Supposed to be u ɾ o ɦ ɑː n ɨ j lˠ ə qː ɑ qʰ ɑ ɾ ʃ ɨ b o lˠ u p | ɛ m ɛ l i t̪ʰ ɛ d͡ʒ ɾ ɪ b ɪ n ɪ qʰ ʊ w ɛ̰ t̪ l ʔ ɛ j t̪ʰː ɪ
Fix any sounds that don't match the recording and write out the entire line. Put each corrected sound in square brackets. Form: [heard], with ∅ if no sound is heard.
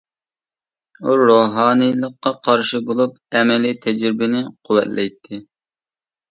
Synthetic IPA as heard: u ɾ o ɦ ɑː n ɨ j lˠ ə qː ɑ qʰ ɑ ɾ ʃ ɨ b o lˠ u p | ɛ m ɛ l i t̪ʰ ɛ d͡ʒ ɾ ɪ b ɪ n ɪ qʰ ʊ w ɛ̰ t̪ l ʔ ɛ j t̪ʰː ɪ